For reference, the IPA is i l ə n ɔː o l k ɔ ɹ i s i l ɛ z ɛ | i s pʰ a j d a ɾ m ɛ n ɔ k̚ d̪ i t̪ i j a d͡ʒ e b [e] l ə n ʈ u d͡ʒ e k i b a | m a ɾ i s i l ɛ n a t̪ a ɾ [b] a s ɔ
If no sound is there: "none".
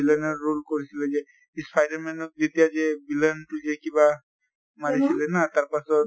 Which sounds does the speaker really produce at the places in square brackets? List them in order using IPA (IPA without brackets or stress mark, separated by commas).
i, p